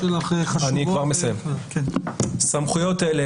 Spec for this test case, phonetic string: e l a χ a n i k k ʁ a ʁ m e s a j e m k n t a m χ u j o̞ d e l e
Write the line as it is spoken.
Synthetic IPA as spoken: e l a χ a n i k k v a ʁ m e s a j e m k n s a m χ u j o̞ t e l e